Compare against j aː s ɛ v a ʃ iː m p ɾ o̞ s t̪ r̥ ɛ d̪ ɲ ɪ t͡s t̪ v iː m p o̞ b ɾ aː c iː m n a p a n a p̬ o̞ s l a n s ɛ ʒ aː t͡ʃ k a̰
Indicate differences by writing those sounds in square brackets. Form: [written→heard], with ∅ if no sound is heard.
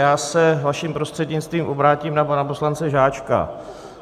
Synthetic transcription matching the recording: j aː s ɛ v a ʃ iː m p ɾ o̞ s t̪ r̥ ɛ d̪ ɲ ɪ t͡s t̪ v iː m [p→ʔ] o̞ b ɾ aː c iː m n a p a n a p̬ o̞ s l a n [s→t͡s] ɛ ʒ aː t͡ʃ k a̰